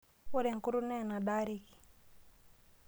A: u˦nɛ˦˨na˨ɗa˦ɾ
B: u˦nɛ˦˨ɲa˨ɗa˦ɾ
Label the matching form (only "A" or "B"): A